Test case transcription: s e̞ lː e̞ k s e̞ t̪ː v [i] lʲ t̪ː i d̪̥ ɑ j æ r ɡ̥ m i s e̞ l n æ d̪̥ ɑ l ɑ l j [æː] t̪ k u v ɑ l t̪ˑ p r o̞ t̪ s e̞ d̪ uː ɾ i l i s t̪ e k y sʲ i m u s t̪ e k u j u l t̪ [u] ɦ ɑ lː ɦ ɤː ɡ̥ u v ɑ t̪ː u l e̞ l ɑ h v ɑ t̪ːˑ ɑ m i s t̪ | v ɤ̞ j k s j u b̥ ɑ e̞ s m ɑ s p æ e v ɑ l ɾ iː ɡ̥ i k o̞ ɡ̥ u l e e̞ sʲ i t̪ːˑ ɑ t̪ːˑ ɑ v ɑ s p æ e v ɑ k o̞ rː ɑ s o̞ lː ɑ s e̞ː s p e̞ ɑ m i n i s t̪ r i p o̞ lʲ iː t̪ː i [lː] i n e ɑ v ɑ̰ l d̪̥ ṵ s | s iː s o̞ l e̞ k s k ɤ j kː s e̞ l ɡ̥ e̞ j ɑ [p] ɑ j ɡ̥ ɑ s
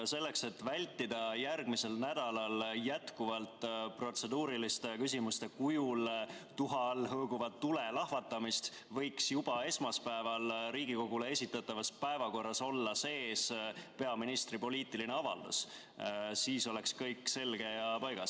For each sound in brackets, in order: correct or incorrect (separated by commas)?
incorrect, incorrect, correct, incorrect, correct